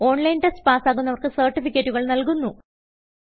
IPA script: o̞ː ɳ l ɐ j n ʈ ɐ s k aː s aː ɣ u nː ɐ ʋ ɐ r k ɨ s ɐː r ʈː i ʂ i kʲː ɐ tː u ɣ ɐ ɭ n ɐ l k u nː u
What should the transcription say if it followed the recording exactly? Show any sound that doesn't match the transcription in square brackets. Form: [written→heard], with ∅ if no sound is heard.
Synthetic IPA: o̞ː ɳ l ɐ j n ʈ ɐ s [k→p] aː s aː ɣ u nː ɐ ʋ ɐ r k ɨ s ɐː r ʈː i [ʂ→f] i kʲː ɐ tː u ɣ ɐ ɭ n ɐ l k u nː u

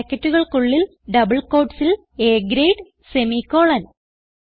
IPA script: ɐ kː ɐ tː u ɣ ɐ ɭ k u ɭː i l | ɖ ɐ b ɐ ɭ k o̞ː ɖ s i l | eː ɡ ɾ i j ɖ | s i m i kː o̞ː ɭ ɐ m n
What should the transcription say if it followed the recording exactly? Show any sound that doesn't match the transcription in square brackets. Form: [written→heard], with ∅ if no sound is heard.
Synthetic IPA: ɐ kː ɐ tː u ɣ ɐ ɭ k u ɭː i l | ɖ ɐ b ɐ ɭ k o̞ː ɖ s i l | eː ɡ ɾ [i→e] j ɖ | s [i→e] m i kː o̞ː ɭ ɐ [m→∅] n

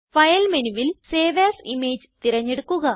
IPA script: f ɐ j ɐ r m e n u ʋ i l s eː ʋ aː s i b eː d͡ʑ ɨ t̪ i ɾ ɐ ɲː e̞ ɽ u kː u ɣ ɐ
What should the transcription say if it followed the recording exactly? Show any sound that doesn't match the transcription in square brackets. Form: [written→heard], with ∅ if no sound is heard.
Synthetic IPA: f ɐ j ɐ [r→l] m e n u ʋ i l s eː ʋ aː s i [b→m] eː d͡ʑ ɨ t̪ i ɾ ɐ ɲː e̞ ɽ u kː u ɣ ɐ

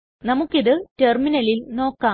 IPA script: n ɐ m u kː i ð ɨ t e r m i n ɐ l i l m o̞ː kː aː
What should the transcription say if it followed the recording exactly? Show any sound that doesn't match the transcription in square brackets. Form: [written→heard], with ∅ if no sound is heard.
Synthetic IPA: n ɐ m u kː i ð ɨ t e r m i n ɐ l i l [m→n] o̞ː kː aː

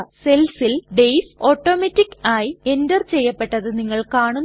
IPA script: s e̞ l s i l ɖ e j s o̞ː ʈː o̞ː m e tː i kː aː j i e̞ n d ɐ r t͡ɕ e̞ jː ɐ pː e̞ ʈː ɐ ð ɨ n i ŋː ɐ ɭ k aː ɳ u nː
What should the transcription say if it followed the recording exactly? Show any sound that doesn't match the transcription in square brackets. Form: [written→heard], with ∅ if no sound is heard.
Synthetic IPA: s e̞ l s i l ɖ e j s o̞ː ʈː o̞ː m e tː i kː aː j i e̞ n d ɐ r t͡ɕ e̞ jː ɐ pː e̞ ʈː ɐ ð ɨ n i ŋː ɐ ɭ k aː ɳ u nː

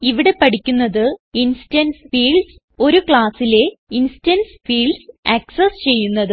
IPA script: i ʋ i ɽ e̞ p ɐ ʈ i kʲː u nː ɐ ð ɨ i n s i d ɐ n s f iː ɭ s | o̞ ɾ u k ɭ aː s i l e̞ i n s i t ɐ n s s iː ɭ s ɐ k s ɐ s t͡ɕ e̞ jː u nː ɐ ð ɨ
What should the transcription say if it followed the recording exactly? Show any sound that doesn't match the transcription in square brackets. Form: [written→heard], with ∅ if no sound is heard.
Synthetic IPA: i ʋ i ɽ e̞ p ɐ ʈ i kʲː u nː ɐ ð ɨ i n s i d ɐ n s f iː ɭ s | o̞ ɾ u k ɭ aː s i l e̞ i n s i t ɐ n s [s→f] iː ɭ s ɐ k s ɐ s t͡ɕ e̞ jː u nː ɐ ð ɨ

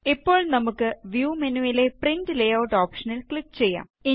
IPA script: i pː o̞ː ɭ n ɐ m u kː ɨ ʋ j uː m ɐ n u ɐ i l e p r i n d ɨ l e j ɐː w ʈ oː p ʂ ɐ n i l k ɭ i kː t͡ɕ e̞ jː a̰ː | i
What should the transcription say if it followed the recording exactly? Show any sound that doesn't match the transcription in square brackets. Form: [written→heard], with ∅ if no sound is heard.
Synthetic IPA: i pː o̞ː ɭ n ɐ m u kː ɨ ʋ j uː m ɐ n u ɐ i l e p r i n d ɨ l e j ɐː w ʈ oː p ʂ ɐ n i l k ɭ i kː t͡ɕ e̞ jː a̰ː | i

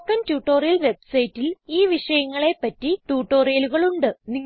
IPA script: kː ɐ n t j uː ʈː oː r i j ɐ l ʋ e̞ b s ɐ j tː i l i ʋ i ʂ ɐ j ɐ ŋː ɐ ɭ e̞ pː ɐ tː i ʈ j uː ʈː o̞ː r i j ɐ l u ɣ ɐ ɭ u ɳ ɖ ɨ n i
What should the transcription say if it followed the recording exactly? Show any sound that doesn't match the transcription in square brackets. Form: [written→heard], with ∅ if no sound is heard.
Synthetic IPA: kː ɐ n t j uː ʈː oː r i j ɐ l ʋ e̞ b s ɐ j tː i l [i→iː] ʋ i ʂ ɐ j ɐ ŋː ɐ ɭ e̞ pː ɐ tː i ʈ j uː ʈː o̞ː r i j ɐ l u ɣ ɐ ɭ u ɳ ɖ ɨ n i

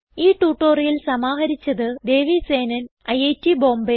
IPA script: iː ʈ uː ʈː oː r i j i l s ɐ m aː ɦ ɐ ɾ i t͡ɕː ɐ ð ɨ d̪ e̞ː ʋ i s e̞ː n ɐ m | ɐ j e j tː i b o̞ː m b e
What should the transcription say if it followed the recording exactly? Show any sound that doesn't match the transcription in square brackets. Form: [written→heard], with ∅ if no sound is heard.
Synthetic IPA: iː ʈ uː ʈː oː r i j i l s ɐ m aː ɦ ɐ ɾ i t͡ɕː ɐ ð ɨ d̪ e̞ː ʋ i s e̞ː n ɐ [m→n] | ɐ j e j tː i b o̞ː m b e

